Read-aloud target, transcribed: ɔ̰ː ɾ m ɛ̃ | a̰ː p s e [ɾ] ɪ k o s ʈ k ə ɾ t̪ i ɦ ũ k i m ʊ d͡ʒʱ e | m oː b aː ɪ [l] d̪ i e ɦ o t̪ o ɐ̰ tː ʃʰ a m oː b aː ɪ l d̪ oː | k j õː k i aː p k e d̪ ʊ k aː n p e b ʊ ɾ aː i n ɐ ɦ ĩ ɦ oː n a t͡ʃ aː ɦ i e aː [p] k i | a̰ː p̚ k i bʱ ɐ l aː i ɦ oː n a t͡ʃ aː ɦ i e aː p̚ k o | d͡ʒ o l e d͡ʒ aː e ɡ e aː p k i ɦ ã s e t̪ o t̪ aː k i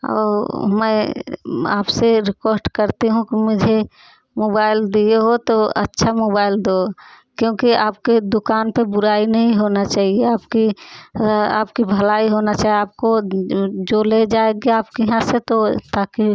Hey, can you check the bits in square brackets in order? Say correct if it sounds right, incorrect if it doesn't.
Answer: correct, correct, correct

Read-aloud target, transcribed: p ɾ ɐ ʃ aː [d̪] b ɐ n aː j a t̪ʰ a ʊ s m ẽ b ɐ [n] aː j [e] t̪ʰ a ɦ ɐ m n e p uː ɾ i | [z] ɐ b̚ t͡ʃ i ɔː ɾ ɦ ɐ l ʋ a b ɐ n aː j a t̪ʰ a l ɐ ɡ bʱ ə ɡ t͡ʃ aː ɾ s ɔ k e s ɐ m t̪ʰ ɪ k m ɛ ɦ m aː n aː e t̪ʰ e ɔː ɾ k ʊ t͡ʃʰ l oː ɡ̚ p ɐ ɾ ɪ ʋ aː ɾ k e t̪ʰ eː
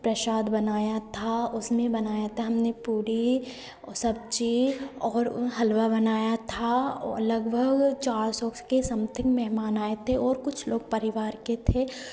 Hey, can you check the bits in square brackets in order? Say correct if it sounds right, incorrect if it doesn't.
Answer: correct, correct, incorrect: a, incorrect: s

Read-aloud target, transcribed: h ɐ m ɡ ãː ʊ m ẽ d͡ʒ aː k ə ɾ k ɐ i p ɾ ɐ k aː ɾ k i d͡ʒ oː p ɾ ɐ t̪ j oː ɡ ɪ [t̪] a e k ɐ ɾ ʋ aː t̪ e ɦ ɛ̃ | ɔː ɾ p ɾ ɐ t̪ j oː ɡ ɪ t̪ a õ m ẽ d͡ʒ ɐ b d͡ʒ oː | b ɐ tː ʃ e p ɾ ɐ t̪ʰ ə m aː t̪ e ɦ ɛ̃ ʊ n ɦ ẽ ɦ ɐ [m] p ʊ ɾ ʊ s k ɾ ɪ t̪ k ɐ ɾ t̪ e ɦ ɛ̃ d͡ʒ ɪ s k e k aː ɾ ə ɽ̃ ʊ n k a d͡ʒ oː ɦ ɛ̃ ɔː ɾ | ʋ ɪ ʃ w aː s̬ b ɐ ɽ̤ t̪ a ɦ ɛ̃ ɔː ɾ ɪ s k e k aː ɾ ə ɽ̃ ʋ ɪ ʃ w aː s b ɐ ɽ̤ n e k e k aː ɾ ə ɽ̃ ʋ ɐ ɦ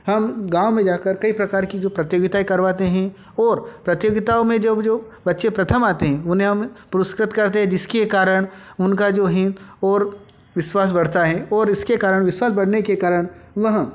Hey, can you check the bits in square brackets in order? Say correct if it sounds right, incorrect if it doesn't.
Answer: correct, correct

